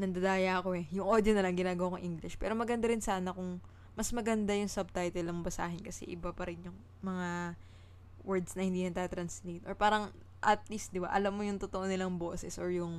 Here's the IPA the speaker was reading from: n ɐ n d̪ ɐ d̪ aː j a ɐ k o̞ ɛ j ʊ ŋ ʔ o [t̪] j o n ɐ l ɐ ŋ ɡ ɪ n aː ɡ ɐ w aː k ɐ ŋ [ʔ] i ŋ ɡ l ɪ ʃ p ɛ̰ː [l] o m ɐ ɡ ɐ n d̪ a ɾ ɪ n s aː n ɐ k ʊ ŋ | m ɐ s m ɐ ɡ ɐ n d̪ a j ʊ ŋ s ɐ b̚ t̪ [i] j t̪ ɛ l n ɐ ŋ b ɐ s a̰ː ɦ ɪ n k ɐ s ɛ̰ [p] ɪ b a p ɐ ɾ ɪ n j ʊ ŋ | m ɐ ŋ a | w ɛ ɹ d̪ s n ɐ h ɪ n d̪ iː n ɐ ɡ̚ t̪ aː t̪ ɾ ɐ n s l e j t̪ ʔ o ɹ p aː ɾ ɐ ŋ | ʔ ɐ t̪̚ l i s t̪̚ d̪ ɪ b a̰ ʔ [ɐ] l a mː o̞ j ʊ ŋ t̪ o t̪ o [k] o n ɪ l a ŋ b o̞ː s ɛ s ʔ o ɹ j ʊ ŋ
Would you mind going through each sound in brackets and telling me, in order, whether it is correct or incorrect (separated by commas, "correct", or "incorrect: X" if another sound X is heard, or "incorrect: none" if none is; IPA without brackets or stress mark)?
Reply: incorrect: d̪, correct, incorrect: ɾ, incorrect: a, incorrect: ʔ, correct, incorrect: ʔ